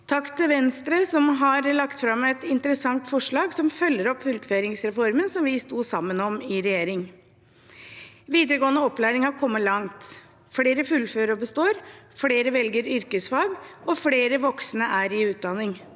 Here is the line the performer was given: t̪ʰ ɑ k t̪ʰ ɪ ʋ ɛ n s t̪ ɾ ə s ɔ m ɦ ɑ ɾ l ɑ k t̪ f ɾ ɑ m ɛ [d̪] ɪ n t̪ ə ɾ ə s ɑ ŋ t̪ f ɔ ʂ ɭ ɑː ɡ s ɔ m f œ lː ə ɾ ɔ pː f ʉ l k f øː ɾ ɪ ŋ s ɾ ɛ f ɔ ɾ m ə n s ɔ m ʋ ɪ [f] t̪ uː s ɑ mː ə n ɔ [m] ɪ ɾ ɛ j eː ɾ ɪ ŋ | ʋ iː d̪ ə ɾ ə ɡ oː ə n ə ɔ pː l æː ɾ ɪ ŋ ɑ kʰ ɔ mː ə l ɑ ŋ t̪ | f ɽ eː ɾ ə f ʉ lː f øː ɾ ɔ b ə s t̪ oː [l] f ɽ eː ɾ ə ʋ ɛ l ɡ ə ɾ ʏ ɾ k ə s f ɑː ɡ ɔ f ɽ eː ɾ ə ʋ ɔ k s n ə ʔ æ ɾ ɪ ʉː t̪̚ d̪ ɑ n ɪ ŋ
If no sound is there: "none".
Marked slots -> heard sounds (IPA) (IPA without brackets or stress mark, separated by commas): t̪, s, m, ɾ